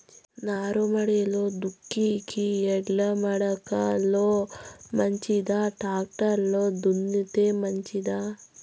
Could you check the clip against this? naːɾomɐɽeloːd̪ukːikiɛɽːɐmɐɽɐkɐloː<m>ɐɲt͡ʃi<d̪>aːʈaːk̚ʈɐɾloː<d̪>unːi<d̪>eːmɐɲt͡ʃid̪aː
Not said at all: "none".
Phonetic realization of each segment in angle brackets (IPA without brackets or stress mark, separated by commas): m, d̪, d̪, t̪